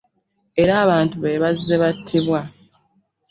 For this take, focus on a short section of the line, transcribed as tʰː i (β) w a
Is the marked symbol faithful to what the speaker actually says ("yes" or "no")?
yes